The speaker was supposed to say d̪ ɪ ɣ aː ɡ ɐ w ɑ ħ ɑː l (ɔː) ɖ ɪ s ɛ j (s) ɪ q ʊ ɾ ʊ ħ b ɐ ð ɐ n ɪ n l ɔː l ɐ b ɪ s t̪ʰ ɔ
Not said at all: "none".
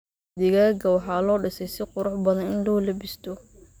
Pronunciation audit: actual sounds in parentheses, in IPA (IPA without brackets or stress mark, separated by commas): ɔː, s